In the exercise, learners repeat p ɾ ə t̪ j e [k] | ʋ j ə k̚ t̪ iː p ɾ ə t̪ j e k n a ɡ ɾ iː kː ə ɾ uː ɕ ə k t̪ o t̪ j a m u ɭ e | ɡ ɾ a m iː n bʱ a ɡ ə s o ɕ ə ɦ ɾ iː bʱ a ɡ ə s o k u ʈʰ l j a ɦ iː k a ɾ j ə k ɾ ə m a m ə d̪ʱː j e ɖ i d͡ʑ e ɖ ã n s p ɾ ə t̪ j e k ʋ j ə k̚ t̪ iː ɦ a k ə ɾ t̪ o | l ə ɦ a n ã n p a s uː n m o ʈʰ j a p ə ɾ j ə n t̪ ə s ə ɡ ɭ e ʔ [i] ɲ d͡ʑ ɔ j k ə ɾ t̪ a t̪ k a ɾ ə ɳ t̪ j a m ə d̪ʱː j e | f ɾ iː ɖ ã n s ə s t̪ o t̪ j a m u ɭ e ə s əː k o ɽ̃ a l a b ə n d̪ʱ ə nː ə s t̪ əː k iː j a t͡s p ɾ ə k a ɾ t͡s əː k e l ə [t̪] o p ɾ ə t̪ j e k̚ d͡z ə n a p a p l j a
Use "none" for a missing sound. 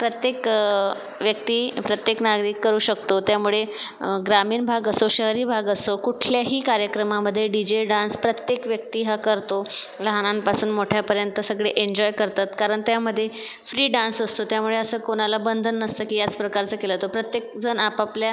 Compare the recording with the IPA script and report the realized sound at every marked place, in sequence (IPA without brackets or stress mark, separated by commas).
k, e, t̪